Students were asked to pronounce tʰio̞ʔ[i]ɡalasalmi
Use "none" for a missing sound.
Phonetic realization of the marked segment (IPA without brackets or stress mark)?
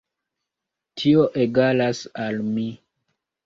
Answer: e